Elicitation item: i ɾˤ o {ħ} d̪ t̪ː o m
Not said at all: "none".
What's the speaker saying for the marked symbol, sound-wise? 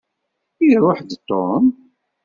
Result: ħ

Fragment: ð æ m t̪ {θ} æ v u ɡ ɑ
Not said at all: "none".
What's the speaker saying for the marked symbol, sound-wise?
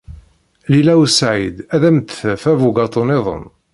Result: f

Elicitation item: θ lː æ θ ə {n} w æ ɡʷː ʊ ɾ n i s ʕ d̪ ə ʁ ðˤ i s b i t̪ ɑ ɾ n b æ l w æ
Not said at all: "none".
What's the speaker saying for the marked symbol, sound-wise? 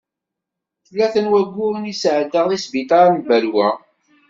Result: n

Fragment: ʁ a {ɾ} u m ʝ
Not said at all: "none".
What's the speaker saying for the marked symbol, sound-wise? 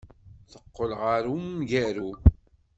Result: ɾ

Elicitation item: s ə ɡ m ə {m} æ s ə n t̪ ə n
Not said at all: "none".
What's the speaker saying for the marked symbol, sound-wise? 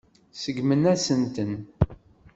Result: n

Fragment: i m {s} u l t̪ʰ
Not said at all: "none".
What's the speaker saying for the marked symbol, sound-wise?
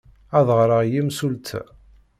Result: s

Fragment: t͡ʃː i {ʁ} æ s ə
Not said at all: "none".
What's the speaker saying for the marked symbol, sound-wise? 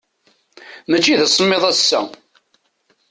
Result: ð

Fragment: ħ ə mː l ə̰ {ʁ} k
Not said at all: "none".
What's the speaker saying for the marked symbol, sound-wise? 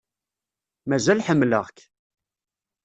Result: ʁ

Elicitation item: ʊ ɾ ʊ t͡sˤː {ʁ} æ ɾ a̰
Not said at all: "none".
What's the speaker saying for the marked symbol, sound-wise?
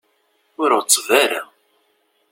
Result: v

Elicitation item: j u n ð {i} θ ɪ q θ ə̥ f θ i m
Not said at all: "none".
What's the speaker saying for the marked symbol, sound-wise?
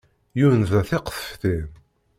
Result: æ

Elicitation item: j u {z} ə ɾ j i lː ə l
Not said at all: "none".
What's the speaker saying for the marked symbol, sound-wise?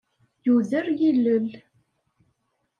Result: ð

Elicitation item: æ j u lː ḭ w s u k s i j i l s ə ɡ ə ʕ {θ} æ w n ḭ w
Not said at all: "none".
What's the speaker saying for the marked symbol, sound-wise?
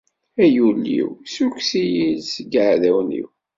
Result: ð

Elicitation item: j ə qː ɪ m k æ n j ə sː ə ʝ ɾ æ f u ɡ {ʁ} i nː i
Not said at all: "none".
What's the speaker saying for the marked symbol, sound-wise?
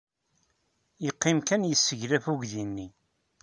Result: ð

